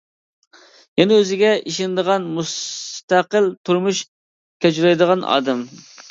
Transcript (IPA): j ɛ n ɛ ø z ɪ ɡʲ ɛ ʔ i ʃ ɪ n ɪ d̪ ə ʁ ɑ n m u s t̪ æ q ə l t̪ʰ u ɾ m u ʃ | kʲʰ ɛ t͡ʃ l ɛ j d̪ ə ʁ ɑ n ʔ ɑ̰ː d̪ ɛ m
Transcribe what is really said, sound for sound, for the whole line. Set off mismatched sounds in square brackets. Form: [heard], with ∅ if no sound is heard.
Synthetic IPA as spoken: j ɛ n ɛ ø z ɪ ɡʲ ɛ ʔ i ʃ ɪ n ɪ d̪ ə ʁ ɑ n m u s t̪ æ q ə l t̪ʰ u ɾ m u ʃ | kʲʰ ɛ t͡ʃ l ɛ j d̪ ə ʁ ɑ n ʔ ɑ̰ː d̪ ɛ m